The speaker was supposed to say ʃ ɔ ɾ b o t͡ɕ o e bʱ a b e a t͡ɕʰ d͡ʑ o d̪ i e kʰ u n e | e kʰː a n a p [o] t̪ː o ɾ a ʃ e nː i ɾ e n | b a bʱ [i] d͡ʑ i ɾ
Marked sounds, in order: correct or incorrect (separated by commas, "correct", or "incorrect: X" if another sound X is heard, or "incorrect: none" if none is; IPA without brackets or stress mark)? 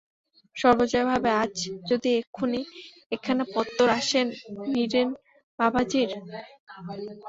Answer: incorrect: ɔ, incorrect: a